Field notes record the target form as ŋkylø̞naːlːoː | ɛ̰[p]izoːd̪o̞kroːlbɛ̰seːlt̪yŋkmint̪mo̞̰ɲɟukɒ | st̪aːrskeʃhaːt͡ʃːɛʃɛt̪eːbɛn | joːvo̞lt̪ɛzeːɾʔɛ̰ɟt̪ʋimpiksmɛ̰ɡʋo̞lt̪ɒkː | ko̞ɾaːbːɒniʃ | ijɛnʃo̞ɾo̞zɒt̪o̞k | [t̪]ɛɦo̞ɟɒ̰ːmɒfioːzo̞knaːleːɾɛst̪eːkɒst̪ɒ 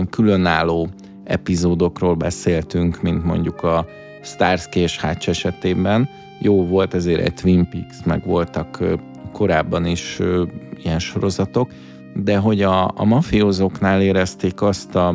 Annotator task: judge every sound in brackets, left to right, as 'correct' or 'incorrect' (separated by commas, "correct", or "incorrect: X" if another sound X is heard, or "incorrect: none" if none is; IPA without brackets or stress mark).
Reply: correct, incorrect: d̪